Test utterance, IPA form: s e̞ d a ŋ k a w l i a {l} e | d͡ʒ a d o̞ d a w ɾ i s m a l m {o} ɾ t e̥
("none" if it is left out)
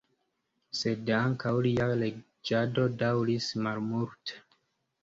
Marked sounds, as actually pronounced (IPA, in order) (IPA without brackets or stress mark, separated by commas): l, u